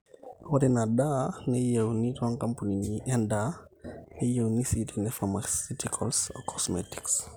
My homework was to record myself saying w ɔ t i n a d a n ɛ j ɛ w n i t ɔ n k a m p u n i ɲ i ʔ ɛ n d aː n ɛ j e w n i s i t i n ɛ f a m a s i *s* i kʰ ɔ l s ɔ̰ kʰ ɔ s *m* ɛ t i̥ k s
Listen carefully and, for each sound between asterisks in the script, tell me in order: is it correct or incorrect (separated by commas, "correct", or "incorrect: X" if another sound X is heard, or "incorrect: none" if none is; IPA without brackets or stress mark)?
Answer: incorrect: t, correct